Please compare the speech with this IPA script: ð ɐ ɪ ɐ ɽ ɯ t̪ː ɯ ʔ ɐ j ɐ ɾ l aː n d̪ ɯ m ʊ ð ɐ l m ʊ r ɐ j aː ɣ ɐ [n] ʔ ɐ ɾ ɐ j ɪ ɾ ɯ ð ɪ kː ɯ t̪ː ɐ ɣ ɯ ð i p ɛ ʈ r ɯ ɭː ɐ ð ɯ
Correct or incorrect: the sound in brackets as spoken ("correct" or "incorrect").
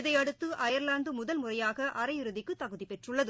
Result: incorrect